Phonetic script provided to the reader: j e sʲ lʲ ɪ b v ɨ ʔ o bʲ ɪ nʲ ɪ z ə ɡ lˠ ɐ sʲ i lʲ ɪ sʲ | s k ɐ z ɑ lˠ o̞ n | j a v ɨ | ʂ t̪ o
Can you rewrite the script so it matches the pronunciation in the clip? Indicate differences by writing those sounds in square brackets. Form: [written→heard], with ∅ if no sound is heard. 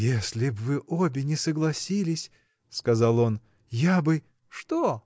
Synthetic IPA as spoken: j e sʲ lʲ ɪ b v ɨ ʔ o bʲ ɪ nʲ ɪ [z→s] ə ɡ lˠ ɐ sʲ i lʲ ɪ sʲ | s k ɐ z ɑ lˠ o̞ n | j a [v→b] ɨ | ʂ t̪ o